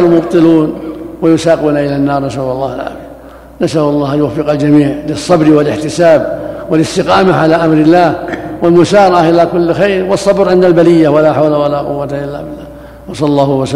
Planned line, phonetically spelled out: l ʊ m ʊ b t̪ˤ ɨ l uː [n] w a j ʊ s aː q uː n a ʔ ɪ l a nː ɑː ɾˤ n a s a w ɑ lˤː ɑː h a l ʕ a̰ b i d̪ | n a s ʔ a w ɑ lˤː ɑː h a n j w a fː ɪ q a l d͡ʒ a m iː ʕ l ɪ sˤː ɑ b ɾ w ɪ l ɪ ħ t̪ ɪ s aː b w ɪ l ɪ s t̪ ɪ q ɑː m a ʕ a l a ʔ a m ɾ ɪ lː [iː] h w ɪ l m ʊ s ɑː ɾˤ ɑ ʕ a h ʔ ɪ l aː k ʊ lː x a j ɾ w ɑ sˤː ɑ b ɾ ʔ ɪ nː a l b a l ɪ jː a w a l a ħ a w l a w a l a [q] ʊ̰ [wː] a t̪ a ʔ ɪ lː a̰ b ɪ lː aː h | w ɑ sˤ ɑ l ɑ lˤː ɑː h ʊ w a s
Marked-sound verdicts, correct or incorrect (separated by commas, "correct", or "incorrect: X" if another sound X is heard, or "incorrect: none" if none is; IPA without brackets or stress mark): correct, incorrect: aː, correct, correct